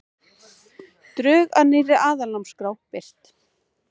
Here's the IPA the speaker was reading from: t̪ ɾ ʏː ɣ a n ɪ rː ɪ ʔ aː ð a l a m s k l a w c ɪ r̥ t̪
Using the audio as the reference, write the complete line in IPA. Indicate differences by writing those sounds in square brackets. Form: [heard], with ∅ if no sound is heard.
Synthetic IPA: t̪ ɾ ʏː ɣ a n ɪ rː ɪ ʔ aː ð a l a m s k [ɾ] a w [p] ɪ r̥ t̪